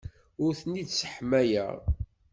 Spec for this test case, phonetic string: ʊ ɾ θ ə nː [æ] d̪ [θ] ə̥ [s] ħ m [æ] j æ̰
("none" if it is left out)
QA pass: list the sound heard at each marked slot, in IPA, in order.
i, s, none, æ

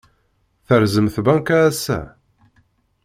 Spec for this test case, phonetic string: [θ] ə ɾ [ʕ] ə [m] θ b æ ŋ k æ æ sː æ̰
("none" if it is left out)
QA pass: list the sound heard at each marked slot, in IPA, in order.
θ, z, m

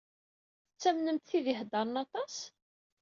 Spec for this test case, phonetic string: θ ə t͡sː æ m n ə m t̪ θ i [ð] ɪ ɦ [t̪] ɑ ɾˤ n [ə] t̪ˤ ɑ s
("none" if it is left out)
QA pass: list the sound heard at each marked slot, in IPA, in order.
ð, d̪, ɑ

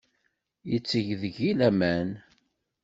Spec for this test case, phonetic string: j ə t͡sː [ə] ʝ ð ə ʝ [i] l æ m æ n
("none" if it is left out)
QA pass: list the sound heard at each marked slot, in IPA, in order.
ə, i

